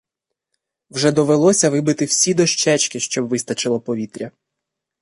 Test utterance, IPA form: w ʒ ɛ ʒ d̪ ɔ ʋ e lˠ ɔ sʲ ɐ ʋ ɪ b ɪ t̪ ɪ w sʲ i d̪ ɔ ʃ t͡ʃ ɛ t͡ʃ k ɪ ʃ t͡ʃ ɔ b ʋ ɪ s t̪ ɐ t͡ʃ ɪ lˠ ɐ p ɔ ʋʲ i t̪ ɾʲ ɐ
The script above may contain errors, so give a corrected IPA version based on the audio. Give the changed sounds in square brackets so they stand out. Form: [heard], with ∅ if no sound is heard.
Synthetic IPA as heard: w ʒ ɛ [∅] d̪ ɔ ʋ e lˠ ɔ sʲ ɐ ʋ ɪ b ɪ t̪ ɪ w sʲ i d̪ ɔ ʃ t͡ʃ ɛ t͡ʃ k ɪ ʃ t͡ʃ ɔ b ʋ ɪ s t̪ ɐ t͡ʃ ɪ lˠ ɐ p ɔ ʋʲ i t̪ ɾʲ ɐ